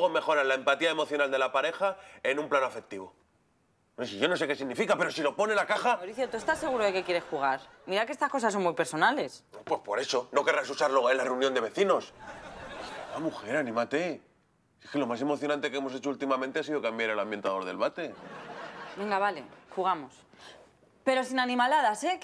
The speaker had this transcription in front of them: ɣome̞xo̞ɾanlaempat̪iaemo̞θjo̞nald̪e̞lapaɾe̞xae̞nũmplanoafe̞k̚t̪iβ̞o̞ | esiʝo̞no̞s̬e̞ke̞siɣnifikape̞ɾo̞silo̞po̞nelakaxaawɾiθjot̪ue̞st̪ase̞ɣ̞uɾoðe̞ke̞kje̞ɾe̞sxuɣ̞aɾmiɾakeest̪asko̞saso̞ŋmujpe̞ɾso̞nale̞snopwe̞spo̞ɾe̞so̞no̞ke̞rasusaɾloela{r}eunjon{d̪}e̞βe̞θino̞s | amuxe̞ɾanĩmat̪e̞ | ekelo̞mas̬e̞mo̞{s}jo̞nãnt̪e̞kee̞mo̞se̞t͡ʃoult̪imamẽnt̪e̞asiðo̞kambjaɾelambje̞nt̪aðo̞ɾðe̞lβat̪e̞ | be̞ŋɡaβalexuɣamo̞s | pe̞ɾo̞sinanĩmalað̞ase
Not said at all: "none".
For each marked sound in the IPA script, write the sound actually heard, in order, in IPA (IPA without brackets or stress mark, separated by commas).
r, d̪, θ